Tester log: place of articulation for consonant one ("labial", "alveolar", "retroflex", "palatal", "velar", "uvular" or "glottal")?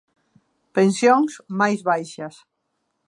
labial